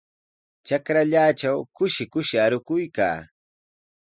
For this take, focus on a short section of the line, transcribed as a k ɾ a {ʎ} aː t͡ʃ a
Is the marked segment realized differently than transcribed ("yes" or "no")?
no